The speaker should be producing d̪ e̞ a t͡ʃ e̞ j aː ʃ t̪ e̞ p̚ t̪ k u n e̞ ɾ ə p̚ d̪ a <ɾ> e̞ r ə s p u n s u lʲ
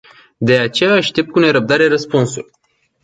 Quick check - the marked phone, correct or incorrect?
correct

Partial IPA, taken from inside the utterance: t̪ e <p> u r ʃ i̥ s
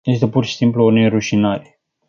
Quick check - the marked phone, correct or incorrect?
correct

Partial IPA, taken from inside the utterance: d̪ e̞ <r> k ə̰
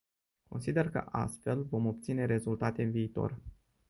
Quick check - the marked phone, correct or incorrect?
correct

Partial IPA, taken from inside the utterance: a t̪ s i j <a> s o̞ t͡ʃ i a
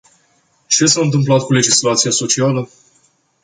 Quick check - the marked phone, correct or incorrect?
correct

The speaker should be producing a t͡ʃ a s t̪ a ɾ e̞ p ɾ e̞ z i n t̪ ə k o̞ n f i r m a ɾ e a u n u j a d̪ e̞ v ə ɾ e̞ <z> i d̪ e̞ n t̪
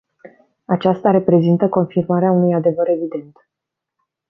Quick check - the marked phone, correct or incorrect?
incorrect: v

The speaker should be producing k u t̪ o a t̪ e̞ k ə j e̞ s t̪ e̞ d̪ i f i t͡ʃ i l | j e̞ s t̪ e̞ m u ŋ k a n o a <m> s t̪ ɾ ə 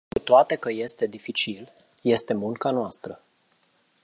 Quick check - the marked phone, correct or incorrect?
incorrect: none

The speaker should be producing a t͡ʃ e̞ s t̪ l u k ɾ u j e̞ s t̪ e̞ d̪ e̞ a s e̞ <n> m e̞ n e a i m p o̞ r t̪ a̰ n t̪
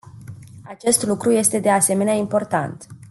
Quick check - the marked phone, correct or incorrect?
incorrect: none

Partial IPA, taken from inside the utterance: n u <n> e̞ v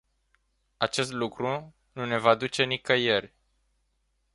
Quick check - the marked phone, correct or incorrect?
correct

